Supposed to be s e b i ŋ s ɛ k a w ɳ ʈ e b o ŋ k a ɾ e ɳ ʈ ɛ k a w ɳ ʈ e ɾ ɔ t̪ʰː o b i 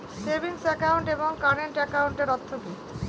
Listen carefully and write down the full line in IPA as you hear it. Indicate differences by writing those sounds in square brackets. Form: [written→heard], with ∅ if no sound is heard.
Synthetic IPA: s e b i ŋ s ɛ k a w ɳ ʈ e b o ŋ k a ɾ e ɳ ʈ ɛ k a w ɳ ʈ e ɾ ɔ t̪ʰː o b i